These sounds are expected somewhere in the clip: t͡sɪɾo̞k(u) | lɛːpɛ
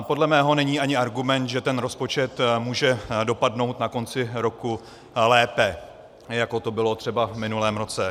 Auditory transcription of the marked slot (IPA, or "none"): u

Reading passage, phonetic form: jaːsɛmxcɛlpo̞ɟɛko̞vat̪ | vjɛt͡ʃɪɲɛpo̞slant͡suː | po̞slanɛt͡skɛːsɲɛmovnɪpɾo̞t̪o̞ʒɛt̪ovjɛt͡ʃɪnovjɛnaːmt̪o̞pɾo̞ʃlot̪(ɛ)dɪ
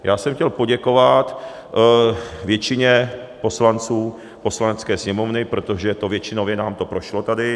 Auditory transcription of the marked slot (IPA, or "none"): a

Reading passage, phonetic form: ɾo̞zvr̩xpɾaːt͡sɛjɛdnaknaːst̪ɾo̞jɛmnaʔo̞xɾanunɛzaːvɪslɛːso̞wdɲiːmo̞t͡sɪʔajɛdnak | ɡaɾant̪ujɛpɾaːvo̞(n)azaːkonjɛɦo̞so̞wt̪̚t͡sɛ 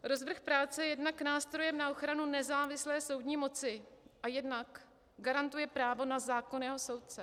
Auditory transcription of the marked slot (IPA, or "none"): n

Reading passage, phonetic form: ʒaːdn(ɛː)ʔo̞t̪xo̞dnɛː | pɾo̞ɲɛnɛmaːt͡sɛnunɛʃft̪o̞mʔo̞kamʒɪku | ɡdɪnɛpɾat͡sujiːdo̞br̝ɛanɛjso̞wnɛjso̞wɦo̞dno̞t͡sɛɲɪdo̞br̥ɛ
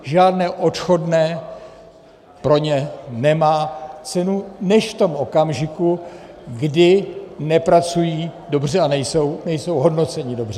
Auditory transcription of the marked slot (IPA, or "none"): ɛː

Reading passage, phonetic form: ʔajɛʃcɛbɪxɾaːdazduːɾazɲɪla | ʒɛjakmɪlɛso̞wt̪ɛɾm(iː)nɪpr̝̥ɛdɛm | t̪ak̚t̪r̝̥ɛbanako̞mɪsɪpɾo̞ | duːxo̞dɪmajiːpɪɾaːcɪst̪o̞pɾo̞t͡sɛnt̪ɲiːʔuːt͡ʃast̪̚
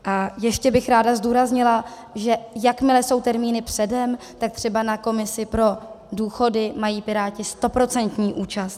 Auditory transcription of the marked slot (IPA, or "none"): iː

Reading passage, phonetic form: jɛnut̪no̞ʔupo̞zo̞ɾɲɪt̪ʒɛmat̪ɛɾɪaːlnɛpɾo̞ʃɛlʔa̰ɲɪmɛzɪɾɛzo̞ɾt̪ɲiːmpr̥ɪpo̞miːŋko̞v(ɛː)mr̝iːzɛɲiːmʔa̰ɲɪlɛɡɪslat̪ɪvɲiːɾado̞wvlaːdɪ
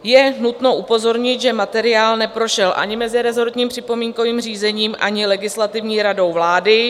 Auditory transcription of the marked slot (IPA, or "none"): iː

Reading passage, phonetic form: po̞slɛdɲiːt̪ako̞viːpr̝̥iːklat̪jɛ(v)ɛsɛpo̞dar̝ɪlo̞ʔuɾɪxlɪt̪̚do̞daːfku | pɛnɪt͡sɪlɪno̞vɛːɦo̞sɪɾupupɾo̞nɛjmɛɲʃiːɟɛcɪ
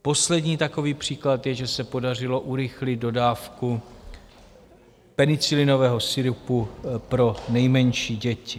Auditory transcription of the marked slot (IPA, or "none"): ʒ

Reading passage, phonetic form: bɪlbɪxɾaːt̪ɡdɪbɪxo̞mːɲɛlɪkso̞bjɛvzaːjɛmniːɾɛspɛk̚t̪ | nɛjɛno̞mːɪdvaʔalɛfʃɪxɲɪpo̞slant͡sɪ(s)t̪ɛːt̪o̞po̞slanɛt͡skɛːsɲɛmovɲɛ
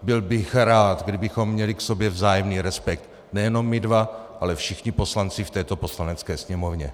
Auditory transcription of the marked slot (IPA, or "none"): f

